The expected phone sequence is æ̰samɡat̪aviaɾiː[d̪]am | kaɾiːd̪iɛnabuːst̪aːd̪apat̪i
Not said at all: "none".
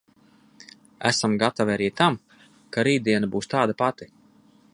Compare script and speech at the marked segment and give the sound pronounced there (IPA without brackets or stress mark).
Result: t̪